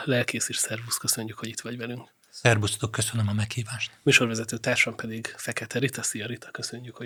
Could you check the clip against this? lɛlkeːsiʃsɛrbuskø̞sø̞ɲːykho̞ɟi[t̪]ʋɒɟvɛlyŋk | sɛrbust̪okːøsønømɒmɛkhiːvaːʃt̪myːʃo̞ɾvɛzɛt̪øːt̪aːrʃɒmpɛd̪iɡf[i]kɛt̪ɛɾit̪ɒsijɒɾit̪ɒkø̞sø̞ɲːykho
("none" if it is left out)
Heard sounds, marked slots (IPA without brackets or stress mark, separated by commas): t̪, ɛ